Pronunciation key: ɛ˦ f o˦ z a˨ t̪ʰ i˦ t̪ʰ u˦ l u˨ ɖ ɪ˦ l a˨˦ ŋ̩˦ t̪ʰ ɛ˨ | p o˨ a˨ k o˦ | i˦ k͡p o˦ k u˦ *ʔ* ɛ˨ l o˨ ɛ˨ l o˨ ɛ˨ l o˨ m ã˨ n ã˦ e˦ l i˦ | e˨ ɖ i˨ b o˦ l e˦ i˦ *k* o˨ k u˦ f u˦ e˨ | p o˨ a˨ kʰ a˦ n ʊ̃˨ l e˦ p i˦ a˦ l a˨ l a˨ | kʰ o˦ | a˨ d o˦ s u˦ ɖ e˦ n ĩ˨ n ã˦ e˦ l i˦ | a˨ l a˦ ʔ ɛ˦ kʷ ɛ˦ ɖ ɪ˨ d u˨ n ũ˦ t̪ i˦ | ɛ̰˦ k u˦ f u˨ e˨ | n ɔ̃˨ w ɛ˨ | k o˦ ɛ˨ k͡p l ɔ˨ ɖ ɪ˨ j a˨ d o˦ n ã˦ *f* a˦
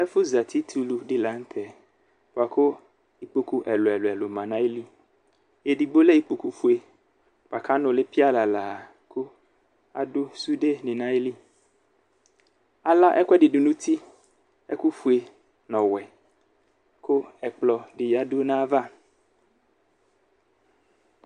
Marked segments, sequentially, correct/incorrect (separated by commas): correct, incorrect, incorrect